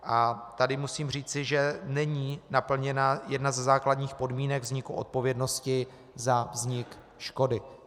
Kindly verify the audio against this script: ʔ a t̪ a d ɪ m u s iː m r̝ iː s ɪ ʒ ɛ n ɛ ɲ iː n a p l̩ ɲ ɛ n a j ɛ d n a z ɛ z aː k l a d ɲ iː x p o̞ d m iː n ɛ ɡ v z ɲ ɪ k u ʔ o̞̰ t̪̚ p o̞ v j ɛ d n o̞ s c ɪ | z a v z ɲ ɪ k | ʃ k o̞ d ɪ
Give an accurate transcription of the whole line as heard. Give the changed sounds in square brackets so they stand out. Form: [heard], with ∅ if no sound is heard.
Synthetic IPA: ʔ a t̪ a d ɪ m u s iː m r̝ iː [t͡s] ɪ ʒ ɛ n ɛ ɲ iː n a p l̩ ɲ ɛ n a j ɛ d n a z ɛ z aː k l a d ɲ iː x p o̞ d m iː n ɛ ɡ v z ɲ ɪ k u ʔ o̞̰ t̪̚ p o̞ v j ɛ d n o̞ s c ɪ | z a v z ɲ ɪ k | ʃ k o̞ d ɪ